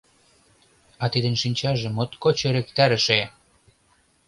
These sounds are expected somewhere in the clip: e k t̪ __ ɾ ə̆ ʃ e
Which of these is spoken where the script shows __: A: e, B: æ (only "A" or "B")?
B